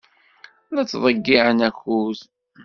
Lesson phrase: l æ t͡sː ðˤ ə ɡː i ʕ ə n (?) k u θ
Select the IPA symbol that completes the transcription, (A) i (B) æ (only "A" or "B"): B